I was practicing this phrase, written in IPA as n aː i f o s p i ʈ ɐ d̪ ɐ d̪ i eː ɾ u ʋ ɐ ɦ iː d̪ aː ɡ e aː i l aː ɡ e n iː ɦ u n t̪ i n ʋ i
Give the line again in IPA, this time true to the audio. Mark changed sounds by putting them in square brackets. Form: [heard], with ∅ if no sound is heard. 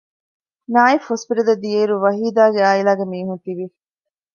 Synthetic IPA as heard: n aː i f o s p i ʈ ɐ d̪ ɐ d̪ i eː ɾ u ʋ ɐ ɦ iː d̪ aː ɡ e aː i l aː ɡ e [m] iː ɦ u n t̪ i [∅] ʋ i